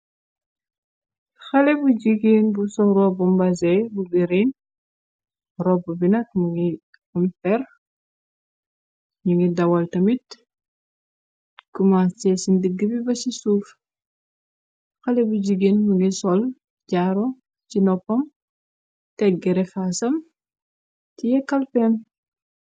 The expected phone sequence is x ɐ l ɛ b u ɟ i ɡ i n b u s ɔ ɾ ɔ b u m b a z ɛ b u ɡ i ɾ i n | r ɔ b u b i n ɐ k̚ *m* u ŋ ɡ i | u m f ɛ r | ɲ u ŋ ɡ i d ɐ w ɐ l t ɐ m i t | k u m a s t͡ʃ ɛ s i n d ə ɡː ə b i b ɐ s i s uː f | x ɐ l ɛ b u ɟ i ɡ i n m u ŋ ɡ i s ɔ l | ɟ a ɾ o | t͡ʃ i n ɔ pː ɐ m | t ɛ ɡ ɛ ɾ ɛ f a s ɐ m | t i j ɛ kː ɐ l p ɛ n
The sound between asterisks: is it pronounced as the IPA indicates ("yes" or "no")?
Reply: yes